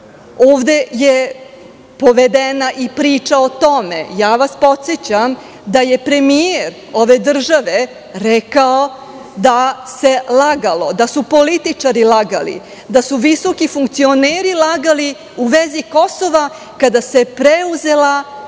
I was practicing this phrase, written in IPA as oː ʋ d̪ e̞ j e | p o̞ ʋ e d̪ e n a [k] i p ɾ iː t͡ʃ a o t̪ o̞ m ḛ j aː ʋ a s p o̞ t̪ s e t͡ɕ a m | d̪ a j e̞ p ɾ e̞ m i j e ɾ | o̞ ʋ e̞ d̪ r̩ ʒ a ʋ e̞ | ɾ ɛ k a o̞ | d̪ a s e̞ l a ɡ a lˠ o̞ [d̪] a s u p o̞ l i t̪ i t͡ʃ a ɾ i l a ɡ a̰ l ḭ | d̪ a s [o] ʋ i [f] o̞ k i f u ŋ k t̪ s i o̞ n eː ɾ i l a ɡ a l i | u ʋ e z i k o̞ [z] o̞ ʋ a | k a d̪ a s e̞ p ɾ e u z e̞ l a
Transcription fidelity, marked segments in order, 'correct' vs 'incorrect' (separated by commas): incorrect, correct, incorrect, incorrect, incorrect